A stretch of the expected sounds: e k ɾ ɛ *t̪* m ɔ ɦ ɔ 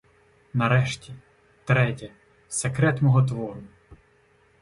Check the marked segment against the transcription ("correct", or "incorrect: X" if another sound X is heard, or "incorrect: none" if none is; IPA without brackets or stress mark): correct